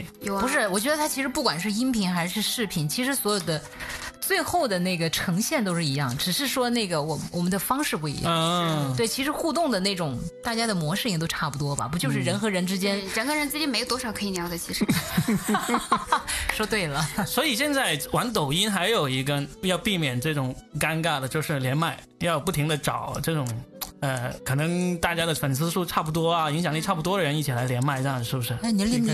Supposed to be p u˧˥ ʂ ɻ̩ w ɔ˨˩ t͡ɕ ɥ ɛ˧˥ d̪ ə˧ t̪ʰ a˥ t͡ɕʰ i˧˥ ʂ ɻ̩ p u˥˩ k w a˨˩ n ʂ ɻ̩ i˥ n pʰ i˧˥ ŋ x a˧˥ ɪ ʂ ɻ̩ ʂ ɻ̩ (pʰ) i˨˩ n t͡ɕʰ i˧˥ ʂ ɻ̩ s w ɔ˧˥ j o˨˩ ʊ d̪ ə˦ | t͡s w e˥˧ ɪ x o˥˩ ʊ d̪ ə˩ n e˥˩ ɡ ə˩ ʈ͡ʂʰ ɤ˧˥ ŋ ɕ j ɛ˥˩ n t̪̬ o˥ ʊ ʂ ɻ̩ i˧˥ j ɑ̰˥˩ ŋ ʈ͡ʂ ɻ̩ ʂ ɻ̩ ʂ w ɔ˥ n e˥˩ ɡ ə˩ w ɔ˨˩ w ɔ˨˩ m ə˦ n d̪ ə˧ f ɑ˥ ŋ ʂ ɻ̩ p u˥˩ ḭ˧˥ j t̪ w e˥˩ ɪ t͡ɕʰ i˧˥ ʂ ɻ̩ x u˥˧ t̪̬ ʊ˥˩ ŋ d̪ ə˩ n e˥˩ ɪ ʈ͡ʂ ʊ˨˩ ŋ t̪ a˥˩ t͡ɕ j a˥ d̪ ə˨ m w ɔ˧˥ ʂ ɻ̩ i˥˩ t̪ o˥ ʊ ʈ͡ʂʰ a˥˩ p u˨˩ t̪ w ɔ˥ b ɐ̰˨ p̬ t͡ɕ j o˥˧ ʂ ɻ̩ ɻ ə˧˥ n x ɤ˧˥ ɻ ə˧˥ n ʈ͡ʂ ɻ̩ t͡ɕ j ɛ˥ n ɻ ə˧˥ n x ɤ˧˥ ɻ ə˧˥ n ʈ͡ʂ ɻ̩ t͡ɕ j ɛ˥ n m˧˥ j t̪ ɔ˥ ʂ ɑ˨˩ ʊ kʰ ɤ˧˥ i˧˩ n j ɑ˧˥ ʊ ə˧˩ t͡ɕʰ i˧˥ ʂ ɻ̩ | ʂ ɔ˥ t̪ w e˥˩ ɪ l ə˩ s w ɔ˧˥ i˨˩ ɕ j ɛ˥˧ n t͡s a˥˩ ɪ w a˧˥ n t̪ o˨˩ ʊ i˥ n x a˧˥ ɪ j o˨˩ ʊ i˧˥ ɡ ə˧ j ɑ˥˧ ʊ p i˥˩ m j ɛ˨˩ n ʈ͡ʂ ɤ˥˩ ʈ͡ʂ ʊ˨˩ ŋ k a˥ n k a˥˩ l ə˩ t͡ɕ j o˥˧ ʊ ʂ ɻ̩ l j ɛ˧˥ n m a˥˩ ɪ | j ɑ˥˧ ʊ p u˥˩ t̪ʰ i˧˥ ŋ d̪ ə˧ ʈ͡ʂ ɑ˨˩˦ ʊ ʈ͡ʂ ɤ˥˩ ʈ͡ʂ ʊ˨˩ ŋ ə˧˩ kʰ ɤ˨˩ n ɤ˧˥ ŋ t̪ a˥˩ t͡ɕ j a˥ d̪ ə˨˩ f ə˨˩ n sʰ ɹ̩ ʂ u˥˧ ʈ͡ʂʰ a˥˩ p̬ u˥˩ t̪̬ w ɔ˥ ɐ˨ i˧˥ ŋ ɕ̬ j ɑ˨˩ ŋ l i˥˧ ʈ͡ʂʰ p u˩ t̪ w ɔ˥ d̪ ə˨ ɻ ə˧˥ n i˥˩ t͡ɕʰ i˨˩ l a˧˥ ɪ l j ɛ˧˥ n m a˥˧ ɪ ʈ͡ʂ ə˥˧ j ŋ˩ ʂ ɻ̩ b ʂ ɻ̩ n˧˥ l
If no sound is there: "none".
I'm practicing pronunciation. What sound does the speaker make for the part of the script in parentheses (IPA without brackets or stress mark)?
pʰ